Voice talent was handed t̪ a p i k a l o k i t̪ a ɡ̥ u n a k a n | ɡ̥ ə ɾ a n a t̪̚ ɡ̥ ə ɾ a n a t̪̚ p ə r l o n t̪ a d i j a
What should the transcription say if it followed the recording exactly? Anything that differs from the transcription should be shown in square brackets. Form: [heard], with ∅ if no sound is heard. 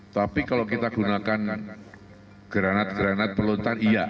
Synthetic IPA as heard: t̪ a p i k a l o k i t̪ a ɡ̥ u n a k a n | ɡ̥ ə ɾ a n a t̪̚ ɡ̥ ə ɾ a n a t̪̚ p ə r l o n t̪ a [n] i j a